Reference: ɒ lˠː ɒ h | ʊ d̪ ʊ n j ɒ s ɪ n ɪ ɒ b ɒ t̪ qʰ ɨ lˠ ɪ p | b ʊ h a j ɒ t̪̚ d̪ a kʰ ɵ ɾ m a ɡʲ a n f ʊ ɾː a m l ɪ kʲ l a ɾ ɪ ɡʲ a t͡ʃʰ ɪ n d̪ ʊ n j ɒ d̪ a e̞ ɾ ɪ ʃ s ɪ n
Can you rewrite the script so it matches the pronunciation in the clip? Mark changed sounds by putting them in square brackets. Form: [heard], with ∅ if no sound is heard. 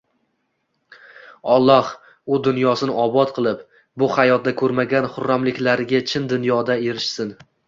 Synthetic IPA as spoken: ɒ lˠː ɒ h | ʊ d̪ ʊ n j ɒ s ɪ n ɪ ɒ b ɒ t̪ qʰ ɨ lˠ ɪ p | b ʊ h a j ɒ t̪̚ d̪ a kʰ ɵ ɾ m a ɡʲ a n [χ] ʊ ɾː a m l ɪ kʲ l a ɾ ɪ ɡʲ a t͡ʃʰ ɪ n d̪ ʊ n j ɒ d̪ a e̞ ɾ ɪ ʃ s ɪ n